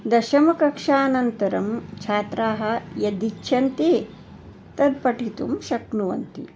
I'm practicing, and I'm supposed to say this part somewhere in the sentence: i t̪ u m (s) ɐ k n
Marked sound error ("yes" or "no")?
yes